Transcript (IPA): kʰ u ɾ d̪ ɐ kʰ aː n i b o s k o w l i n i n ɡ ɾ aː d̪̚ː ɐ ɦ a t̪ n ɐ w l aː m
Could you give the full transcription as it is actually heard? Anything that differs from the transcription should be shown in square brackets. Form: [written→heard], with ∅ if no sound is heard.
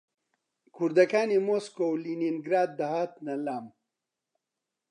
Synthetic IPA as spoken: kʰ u ɾ d̪ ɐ [kʰ→k] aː n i [b→m] o s k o w l i n i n ɡ ɾ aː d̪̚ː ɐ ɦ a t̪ n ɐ [w→∅] l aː m